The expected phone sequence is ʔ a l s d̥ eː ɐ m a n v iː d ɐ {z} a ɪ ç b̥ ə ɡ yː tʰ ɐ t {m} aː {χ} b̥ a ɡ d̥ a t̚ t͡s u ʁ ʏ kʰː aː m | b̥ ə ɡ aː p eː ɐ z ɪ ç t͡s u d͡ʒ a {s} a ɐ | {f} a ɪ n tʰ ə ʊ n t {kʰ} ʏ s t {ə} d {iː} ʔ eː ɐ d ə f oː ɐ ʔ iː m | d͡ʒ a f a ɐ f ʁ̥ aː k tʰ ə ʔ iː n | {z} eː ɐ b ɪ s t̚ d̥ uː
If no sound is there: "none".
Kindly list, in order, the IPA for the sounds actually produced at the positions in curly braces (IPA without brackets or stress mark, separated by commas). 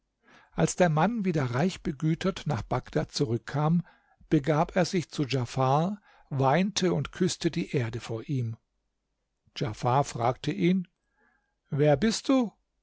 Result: ʁ, n, χ, f, v, kʰ, ə, iː, v